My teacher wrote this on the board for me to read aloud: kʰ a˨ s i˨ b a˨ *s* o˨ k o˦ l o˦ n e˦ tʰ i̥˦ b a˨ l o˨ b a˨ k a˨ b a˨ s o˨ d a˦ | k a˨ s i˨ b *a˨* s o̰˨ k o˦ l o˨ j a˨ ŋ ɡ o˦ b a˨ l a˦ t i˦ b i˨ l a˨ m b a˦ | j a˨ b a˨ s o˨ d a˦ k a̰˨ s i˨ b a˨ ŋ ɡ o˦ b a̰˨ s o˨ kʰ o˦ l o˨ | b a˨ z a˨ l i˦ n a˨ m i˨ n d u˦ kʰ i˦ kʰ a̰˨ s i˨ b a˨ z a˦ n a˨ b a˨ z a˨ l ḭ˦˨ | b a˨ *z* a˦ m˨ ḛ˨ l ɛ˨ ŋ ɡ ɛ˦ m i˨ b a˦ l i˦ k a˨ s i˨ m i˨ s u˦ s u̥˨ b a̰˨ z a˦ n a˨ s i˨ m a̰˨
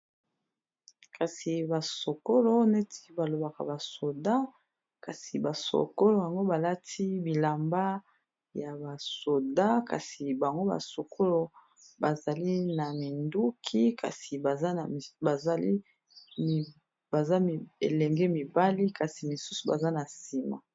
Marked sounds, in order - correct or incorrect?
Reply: correct, correct, correct

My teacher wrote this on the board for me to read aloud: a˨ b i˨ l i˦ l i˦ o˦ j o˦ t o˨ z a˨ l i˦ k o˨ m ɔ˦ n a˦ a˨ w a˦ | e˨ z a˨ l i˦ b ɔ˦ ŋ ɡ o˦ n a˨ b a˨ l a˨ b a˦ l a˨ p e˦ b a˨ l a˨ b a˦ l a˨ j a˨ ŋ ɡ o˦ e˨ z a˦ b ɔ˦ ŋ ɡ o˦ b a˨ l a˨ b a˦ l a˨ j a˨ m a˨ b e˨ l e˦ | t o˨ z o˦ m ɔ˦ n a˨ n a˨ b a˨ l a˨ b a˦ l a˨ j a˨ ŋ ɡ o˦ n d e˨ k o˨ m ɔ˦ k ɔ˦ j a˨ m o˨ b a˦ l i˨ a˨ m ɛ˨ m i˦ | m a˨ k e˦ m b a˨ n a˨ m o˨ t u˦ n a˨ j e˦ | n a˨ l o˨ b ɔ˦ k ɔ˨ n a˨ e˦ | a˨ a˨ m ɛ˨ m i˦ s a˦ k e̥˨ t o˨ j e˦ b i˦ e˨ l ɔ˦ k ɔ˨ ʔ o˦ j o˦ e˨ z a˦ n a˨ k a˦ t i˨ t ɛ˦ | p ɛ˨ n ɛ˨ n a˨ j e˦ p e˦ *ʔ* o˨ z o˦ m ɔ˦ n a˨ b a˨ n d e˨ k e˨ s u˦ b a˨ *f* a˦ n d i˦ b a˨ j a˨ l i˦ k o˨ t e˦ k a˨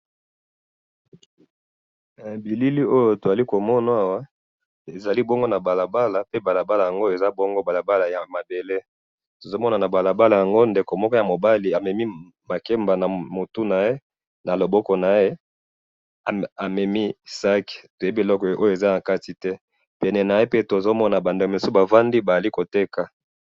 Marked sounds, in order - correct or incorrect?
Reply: incorrect, incorrect

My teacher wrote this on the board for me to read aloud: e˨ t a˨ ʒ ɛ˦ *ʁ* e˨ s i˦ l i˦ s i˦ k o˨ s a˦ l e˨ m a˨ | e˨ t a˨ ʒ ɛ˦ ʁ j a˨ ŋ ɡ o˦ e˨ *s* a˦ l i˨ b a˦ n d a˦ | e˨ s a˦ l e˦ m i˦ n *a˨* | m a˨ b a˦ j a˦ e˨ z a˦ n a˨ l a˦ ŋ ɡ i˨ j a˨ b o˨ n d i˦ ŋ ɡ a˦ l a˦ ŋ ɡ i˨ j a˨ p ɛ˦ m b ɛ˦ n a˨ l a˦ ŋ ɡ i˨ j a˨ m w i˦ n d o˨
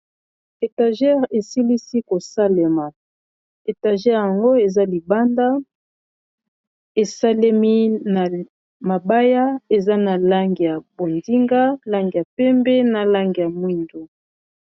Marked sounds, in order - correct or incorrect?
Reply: correct, incorrect, correct

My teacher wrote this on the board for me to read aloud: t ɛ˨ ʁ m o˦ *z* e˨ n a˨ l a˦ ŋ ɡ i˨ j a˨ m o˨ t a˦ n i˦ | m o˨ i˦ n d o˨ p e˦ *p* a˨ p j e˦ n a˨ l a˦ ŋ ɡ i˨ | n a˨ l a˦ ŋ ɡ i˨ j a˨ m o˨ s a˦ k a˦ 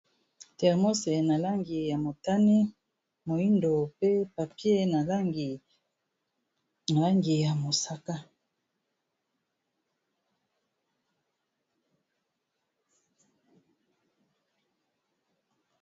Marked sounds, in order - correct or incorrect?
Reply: incorrect, correct

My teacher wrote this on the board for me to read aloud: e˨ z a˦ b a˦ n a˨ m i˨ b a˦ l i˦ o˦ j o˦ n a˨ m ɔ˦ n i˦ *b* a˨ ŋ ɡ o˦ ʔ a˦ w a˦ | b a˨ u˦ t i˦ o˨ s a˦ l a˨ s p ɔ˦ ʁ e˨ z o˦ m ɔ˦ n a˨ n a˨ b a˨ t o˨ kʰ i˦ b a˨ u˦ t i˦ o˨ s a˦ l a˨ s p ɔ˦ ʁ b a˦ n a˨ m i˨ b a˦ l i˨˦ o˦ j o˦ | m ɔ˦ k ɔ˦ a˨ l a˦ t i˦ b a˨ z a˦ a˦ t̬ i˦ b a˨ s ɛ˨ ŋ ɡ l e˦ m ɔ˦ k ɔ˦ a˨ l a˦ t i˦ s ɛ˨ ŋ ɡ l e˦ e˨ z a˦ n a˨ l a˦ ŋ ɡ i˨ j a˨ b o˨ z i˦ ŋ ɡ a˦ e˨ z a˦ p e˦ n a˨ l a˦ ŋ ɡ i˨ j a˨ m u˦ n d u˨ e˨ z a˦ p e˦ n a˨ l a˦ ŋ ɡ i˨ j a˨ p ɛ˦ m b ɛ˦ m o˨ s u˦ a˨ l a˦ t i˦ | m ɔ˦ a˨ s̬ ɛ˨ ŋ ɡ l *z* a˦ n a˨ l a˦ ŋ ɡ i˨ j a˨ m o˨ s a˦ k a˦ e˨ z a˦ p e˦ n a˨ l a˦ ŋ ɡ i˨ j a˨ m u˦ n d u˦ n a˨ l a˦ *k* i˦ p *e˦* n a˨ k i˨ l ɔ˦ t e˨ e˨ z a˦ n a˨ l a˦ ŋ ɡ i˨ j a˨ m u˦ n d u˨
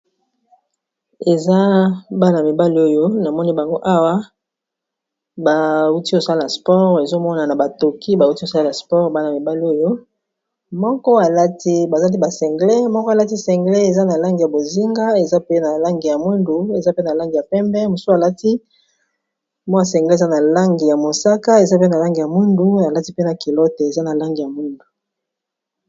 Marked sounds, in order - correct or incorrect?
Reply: correct, correct, incorrect, correct

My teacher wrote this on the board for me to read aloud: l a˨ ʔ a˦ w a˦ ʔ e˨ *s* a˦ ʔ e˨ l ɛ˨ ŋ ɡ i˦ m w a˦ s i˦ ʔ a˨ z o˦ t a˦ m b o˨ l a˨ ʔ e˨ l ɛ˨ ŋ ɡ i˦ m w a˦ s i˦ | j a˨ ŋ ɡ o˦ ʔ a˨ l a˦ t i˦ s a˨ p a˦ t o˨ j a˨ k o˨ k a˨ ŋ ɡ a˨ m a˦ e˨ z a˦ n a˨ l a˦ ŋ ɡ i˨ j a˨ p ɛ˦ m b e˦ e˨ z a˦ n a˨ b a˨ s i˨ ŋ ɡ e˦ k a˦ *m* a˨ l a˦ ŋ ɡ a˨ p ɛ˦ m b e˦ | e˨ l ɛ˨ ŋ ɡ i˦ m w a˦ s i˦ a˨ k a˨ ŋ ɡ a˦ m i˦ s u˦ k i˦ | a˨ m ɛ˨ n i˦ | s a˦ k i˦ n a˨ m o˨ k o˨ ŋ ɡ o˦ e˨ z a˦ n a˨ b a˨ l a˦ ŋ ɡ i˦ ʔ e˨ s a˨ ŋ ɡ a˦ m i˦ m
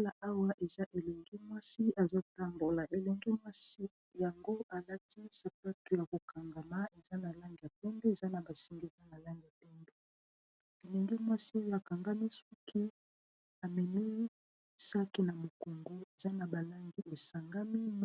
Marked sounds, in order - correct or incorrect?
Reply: incorrect, incorrect

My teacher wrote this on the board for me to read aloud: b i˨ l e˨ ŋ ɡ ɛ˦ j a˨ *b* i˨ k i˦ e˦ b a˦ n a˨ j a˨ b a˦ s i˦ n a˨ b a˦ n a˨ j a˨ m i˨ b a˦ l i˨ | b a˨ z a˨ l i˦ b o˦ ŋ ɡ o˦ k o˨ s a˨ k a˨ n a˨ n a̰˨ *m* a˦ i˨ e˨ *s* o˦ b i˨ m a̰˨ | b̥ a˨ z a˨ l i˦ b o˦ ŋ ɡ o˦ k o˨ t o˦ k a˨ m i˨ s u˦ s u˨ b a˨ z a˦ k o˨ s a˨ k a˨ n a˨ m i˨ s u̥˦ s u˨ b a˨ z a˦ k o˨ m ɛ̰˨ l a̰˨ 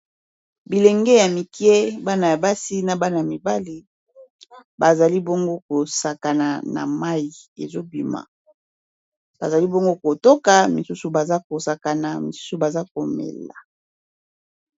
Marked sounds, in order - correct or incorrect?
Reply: incorrect, correct, incorrect

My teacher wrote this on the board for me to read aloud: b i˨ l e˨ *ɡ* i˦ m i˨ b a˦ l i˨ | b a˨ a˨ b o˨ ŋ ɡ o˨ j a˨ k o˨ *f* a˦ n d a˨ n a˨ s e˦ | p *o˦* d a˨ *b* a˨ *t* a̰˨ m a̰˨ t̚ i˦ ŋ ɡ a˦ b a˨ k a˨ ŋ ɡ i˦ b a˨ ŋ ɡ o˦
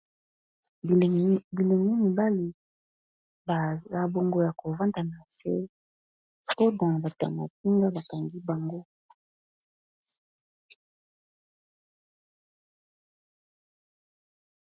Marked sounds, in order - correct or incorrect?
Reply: incorrect, incorrect, correct, correct, correct

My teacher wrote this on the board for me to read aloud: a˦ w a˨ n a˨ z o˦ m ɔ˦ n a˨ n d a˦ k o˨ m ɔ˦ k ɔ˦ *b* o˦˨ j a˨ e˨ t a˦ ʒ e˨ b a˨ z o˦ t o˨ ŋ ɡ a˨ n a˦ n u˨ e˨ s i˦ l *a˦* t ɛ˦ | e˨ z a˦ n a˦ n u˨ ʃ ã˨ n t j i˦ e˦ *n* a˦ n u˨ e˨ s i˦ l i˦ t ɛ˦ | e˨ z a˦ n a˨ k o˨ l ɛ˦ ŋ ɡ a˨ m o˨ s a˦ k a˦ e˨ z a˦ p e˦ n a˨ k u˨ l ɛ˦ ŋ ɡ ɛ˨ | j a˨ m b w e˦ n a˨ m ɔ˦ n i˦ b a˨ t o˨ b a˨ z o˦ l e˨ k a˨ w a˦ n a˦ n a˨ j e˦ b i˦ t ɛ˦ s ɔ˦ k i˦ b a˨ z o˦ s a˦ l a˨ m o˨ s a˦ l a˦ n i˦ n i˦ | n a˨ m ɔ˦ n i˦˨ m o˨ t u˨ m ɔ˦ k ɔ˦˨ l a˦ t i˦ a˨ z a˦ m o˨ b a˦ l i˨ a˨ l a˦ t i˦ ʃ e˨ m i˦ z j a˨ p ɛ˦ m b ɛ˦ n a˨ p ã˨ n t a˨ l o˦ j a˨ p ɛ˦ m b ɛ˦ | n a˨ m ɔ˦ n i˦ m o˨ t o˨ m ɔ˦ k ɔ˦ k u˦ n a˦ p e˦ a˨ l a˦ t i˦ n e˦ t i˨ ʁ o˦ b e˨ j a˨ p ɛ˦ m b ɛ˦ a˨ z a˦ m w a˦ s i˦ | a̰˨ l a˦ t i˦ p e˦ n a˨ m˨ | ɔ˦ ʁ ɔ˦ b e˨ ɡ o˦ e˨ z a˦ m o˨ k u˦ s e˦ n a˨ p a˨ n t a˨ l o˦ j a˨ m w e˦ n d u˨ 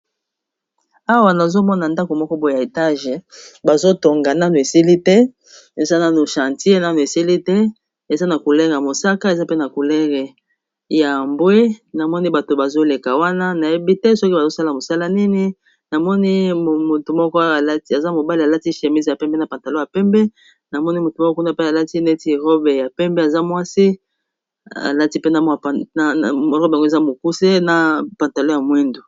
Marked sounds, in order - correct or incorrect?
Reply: correct, incorrect, correct

